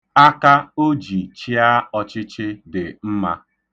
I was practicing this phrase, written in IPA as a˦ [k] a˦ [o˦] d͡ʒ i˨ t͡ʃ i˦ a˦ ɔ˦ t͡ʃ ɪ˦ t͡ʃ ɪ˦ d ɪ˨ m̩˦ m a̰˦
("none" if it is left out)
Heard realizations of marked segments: k, o˦

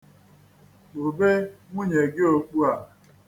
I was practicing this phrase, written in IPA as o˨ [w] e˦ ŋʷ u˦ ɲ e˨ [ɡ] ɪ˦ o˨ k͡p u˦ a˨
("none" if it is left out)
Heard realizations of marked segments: b, ɡ

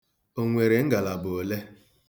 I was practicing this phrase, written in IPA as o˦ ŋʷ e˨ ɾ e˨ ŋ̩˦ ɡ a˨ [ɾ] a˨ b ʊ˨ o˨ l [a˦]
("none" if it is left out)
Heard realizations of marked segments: l, e˦

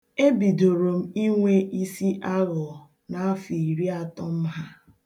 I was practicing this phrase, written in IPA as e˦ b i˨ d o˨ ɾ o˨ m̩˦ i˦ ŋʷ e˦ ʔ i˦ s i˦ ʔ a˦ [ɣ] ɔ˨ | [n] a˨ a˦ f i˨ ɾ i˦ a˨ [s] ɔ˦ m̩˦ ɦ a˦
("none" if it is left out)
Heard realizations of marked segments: ɣ, n, t

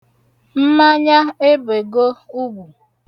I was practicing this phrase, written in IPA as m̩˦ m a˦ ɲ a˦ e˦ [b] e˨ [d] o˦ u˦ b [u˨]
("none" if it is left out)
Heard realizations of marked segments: b, ɡ, u˨

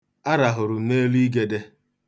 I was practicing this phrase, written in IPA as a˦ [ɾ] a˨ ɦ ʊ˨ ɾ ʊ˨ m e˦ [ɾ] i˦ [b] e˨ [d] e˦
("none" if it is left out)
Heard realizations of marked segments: ɾ, l, ɡ, d

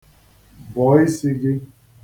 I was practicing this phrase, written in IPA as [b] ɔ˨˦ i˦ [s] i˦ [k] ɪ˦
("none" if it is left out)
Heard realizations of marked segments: b, s, ɡ

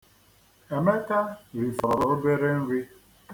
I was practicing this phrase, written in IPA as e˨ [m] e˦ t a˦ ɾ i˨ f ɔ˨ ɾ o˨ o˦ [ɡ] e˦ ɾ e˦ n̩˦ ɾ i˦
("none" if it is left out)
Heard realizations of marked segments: m, b

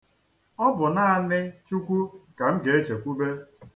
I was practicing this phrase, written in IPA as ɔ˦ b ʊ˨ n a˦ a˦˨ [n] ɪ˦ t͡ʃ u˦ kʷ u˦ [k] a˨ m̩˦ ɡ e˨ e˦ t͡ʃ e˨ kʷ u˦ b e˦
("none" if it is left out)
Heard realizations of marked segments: n, k

